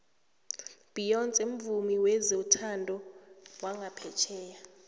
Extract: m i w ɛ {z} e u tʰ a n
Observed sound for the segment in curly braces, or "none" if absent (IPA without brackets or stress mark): z